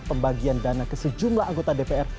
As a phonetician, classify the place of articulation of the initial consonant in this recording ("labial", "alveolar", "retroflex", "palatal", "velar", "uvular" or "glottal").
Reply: labial